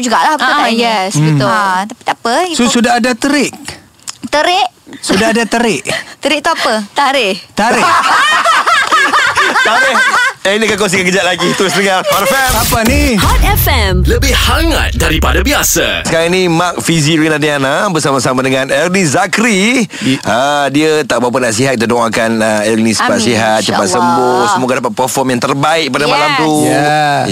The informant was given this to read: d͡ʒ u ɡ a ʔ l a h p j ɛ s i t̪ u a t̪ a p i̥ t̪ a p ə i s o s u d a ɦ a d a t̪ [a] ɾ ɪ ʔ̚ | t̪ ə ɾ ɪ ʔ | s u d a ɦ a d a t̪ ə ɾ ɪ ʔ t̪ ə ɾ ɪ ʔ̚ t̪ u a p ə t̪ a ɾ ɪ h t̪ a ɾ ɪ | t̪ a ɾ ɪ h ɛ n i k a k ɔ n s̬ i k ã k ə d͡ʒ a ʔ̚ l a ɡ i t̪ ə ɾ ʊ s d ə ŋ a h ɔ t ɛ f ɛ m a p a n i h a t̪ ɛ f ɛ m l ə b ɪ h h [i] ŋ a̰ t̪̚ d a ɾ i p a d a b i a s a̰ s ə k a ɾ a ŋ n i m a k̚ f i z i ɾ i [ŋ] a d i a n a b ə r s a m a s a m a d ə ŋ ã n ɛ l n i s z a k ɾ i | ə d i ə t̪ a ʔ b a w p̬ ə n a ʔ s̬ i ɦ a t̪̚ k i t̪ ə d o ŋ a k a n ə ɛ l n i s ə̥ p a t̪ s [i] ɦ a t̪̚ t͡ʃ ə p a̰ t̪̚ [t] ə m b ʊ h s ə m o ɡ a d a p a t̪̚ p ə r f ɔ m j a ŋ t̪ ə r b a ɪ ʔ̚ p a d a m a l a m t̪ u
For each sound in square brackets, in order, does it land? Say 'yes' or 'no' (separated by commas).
no, no, no, yes, no